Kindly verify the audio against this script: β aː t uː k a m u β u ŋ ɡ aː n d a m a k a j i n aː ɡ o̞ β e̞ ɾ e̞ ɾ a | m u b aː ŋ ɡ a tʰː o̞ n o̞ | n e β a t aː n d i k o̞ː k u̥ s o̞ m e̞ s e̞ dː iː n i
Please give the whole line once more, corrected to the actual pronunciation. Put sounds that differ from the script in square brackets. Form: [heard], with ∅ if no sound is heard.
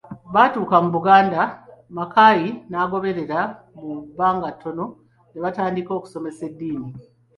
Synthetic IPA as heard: β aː t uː k a m u β u [∅] ɡ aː n d a m a k a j i n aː ɡ o̞ β e̞ ɾ e̞ ɾ a | m u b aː ŋ ɡ a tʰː o̞ n o̞ | n e β a t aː n d i k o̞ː k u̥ s o̞ m e̞ s e̞ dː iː n i